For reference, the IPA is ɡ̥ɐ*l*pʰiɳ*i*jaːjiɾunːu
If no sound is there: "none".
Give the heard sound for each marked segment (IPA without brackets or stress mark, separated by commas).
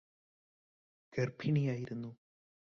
r, i